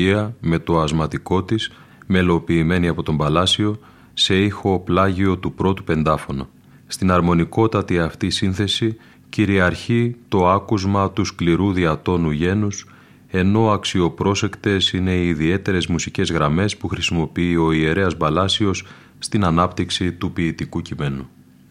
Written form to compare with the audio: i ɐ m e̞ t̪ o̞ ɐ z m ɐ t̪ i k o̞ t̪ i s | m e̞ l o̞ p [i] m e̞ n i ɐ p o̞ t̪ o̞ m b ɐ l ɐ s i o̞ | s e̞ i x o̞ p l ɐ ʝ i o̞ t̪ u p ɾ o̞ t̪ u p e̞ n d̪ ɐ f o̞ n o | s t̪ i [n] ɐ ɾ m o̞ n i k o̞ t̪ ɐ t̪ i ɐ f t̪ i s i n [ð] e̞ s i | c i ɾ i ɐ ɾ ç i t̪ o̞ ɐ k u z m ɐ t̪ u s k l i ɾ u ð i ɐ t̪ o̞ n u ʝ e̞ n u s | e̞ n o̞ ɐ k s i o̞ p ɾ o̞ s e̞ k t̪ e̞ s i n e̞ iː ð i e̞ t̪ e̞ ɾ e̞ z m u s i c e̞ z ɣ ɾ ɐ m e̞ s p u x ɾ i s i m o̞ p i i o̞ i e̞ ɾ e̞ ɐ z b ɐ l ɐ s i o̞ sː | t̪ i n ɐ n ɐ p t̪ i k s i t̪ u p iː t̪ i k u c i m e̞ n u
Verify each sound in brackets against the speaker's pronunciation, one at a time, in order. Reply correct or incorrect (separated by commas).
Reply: incorrect, correct, incorrect